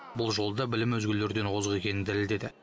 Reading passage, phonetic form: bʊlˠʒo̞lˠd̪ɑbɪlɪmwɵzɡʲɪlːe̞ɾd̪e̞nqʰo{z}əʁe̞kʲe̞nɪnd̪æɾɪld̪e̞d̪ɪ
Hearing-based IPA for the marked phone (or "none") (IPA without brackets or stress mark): z